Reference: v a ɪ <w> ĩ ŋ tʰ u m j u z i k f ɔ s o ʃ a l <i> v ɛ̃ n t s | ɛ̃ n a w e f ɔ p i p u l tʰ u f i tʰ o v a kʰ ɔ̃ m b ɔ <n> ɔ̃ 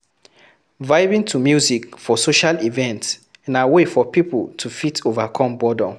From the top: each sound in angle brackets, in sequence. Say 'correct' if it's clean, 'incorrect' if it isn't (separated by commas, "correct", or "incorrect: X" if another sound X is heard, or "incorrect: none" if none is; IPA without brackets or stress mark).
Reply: incorrect: v, correct, incorrect: d